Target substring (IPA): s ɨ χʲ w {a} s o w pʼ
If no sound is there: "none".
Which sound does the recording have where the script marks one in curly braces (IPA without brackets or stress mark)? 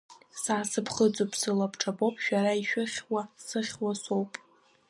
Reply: a